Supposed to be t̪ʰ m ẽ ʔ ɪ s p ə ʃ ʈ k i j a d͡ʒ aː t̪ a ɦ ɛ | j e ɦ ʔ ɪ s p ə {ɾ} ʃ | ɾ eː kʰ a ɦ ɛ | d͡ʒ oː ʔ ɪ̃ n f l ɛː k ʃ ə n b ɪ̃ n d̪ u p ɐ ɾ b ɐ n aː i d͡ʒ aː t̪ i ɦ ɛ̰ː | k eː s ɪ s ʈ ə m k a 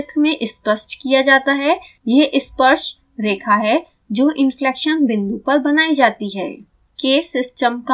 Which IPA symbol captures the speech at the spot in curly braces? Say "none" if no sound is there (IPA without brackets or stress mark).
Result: ɾ